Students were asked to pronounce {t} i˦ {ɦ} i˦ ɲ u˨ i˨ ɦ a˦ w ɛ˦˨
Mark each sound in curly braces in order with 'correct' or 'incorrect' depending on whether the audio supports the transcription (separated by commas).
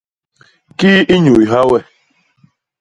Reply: incorrect, incorrect